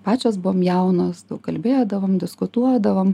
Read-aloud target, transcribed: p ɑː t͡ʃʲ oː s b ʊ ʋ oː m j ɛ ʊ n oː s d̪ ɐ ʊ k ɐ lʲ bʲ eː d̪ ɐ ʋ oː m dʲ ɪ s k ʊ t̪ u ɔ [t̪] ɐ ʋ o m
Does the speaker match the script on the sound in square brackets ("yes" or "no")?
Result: no